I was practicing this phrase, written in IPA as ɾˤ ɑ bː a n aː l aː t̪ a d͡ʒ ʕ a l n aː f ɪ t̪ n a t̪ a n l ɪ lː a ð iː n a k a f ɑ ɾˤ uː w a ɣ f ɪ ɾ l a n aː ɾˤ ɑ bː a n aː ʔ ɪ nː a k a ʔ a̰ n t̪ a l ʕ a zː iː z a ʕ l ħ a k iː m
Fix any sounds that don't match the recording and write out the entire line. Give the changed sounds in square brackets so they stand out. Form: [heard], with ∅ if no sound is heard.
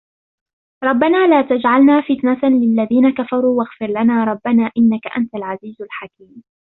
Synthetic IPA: ɾˤ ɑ bː a n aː l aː t̪ a d͡ʒ ʕ a l n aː f ɪ t̪ n a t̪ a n l ɪ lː a ð iː n a k a f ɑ ɾˤ uː w a ɣ f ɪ ɾ l a n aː ɾˤ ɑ bː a n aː ʔ ɪ nː a k a ʔ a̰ n t̪ a l ʕ a [z] iː z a [∅] l ħ a k iː m

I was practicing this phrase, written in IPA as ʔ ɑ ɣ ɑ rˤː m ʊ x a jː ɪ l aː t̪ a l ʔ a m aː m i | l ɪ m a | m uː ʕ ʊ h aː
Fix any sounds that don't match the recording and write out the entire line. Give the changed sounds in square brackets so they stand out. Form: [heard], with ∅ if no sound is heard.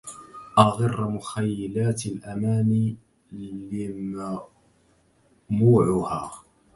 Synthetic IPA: ʔ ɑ ɣ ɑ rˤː m ʊ x a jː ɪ l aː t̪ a l ʔ a m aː [n] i | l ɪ m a | m uː ʕ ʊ h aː

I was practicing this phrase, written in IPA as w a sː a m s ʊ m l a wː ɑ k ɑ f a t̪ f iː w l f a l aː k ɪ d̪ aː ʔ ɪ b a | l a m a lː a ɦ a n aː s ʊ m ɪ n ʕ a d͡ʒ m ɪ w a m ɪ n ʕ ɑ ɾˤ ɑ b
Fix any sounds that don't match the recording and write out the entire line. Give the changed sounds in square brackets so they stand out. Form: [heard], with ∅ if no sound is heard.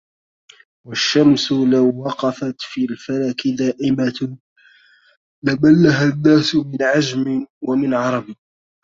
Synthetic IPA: w a [ʃː] a m s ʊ [∅] l a wː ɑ [q] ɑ f a t̪ f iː [∅] l f a l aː k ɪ d̪ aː ʔ ɪ [m] a | l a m a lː a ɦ a [nː] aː s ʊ m ɪ n ʕ a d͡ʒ m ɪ w a m ɪ n ʕ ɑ ɾˤ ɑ b

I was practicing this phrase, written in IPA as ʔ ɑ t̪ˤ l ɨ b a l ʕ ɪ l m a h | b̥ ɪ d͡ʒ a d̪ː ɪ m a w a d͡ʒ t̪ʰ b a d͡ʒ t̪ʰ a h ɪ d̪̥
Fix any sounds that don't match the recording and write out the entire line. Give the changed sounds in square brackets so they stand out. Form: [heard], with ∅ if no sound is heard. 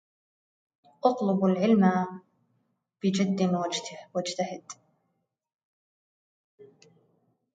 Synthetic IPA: ʔ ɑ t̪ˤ l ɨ b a l ʕ ɪ l m a [∅] | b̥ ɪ d͡ʒ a d̪ː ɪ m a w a d͡ʒ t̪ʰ [w] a d͡ʒ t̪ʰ a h ɪ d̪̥

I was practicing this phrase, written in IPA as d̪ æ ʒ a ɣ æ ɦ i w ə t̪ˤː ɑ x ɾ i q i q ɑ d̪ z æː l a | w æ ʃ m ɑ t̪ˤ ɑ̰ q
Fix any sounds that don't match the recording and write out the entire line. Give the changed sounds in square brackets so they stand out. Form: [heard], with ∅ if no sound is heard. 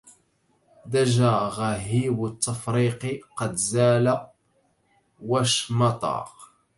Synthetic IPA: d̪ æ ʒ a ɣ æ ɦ i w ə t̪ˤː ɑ [f] ɾ i q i q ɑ d̪ z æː l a | w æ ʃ m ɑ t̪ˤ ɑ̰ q

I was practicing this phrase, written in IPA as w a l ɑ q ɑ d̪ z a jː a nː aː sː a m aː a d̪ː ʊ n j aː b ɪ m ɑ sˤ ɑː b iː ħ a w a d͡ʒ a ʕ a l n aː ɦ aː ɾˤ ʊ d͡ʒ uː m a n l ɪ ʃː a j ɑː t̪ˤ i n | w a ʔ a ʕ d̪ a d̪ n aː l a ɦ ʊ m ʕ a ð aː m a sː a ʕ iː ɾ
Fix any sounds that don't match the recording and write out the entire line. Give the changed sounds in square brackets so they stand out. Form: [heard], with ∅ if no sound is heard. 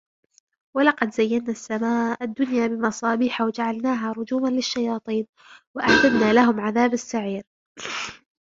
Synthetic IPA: w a l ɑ q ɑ d̪ z a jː a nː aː sː a m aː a d̪ː ʊ n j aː b ɪ m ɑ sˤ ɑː b iː ħ a w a d͡ʒ a ʕ a l n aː ɦ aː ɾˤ ʊ d͡ʒ uː m a n l ɪ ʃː a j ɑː t̪ˤ [iː] n | w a ʔ a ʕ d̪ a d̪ n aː l a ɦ ʊ m ʕ a ð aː [b] a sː a ʕ iː ɾ

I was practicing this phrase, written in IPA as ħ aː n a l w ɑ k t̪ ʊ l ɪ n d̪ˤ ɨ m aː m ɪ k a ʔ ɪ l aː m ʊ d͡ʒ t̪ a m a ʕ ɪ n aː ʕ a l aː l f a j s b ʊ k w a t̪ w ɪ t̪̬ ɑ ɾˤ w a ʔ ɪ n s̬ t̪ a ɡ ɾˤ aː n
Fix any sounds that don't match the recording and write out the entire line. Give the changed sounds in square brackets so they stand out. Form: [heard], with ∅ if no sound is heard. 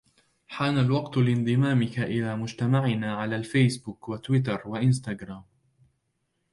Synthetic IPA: ħ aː n a l w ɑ [q] t̪ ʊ l ɪ n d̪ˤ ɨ m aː m ɪ k a ʔ ɪ l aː m ʊ d͡ʒ t̪ a m a ʕ ɪ n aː ʕ a l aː l f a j s b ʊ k w a t̪ w ɪ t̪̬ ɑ ɾˤ w a ʔ ɪ n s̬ t̪ a ɡ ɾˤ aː [m]

